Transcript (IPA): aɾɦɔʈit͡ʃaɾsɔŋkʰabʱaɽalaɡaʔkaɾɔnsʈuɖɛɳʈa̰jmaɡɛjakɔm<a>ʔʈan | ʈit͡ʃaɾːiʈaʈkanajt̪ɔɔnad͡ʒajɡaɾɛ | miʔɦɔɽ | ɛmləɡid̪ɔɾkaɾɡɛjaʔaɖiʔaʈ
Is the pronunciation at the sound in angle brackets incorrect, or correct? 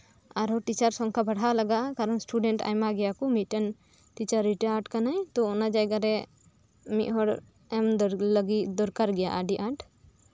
incorrect: i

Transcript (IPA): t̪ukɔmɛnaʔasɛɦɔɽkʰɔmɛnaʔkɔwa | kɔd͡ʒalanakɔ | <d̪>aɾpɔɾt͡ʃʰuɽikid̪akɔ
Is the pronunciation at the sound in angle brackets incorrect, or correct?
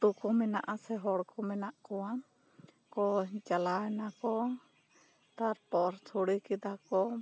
incorrect: t̪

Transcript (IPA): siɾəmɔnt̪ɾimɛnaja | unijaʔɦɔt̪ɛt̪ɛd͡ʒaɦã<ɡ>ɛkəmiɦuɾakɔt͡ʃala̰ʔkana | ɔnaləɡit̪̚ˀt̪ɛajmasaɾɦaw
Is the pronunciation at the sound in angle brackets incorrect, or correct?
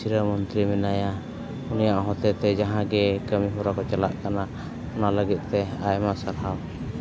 correct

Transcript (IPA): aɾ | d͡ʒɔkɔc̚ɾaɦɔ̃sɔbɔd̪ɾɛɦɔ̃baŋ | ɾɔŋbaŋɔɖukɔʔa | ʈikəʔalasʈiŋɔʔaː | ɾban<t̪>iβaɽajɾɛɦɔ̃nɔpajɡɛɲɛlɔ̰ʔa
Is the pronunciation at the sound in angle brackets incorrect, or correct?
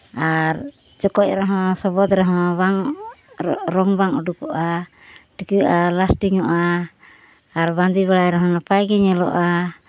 incorrect: d̪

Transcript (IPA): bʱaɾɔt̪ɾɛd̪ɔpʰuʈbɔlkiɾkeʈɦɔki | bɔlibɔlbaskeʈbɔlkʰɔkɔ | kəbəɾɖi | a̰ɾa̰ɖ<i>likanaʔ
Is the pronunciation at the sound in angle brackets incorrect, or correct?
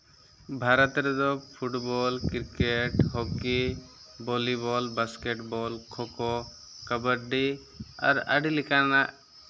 correct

